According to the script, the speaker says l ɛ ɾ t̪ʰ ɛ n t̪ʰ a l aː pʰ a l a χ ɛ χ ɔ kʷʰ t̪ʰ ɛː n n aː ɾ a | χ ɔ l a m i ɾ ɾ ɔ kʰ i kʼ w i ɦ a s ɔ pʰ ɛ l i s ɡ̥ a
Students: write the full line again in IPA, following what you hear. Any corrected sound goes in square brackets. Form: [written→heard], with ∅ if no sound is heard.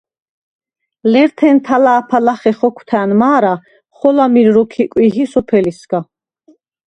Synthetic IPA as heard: l ɛ ɾ t̪ʰ ɛ n t̪ʰ a l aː pʰ a l a χ ɛ χ ɔ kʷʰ t̪ʰ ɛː n [n→m] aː ɾ a | χ ɔ l a m i ɾ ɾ ɔ kʰ i kʼ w i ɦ [a→i] s ɔ pʰ ɛ l i s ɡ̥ a